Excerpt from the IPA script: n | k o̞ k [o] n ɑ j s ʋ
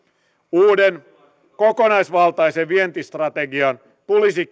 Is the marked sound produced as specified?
yes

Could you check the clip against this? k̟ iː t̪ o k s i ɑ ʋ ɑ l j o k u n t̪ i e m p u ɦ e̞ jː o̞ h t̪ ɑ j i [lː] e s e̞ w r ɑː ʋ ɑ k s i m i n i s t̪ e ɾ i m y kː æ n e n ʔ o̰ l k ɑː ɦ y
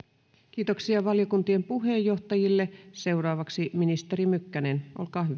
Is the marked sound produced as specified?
yes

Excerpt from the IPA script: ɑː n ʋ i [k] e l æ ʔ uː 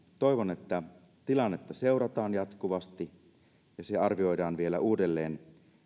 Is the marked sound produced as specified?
no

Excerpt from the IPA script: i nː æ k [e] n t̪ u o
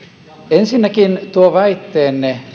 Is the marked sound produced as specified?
no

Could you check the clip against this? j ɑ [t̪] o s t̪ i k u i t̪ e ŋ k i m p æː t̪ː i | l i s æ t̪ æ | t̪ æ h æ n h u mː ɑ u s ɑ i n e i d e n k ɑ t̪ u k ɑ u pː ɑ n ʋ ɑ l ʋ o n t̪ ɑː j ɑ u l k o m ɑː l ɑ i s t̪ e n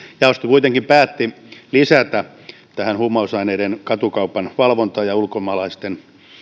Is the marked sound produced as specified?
no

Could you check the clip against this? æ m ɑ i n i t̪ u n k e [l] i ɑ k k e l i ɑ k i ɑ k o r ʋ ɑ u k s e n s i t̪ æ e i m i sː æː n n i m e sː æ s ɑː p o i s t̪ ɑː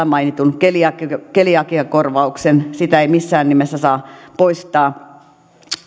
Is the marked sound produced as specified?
yes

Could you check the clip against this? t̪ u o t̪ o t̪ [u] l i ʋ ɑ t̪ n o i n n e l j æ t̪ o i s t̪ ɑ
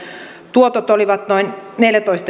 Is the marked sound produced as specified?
no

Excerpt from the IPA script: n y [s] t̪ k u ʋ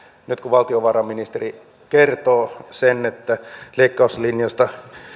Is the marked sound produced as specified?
no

